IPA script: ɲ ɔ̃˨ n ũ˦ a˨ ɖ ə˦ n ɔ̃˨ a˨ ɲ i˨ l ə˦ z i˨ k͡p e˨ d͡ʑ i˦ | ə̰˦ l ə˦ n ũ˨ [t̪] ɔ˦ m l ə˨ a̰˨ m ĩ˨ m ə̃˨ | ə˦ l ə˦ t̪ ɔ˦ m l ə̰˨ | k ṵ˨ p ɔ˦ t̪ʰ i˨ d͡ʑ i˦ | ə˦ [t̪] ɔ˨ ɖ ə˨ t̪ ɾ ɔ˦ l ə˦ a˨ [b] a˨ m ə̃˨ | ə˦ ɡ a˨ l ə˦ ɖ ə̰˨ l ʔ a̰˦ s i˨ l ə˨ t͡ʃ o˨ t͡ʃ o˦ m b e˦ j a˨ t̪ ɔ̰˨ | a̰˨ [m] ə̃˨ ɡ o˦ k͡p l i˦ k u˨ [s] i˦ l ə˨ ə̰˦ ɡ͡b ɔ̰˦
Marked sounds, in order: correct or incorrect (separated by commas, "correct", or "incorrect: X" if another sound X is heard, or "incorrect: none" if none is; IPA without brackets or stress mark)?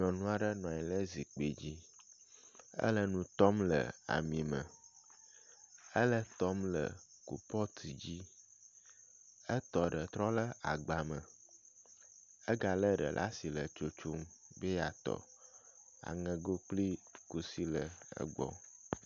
correct, correct, incorrect: ɡ͡b, incorrect: ŋ, correct